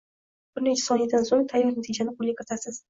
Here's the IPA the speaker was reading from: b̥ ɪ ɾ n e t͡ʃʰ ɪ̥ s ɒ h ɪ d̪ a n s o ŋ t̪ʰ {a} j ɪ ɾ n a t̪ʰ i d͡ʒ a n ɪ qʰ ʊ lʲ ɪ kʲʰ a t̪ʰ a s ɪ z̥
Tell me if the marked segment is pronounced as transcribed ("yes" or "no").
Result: yes